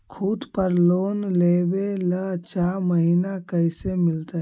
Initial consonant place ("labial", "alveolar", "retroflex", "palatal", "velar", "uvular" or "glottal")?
velar